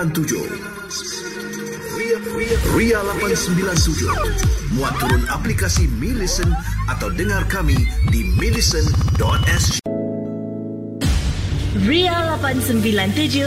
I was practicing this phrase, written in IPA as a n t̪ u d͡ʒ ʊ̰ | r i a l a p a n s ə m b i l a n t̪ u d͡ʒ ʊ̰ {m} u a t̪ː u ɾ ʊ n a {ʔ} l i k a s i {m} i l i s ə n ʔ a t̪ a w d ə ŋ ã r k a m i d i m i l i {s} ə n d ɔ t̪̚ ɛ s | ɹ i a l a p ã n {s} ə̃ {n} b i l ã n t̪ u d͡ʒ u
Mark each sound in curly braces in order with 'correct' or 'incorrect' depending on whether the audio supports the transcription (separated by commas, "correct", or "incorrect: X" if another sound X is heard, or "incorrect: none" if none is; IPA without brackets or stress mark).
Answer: correct, incorrect: p, correct, correct, correct, incorrect: m